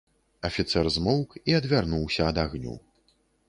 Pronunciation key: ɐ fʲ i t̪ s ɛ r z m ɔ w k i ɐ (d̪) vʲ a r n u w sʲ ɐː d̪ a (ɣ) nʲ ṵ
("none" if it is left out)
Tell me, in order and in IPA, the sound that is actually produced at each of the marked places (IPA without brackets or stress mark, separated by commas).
d̪, ɣ